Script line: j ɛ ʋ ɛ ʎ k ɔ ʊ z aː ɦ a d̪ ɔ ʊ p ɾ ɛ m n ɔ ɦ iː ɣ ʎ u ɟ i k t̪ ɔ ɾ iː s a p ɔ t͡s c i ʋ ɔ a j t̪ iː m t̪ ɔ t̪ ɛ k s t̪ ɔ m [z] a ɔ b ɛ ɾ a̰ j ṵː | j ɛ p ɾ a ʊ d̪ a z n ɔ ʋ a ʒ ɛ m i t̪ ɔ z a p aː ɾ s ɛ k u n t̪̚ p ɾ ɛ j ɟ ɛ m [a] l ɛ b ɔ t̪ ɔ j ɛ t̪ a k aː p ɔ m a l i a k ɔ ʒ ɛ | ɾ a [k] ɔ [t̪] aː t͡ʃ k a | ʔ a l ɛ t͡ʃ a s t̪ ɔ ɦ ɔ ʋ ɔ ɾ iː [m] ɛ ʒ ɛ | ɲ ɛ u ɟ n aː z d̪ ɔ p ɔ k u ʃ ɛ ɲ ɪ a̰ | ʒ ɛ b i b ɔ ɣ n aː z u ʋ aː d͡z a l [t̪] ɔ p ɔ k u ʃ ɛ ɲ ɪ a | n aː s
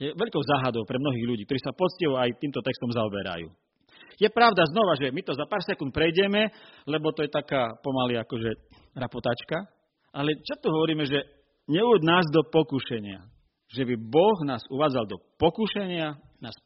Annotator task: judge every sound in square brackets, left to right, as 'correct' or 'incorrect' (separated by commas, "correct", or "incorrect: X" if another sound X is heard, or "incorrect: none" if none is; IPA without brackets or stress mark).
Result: correct, incorrect: ɛ, incorrect: p, correct, correct, incorrect: d̪